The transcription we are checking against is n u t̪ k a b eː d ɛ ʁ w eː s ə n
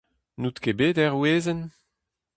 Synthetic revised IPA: n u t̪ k e b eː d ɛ ʁ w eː z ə n